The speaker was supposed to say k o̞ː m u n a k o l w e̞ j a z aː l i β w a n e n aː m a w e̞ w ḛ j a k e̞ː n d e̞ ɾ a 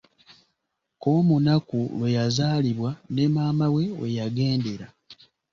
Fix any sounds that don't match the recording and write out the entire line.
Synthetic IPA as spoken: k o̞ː m u n a k u l w e̞ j a z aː l i β w a n e m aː m a w e̞ w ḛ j a ɡ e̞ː n d e̞ ɾ a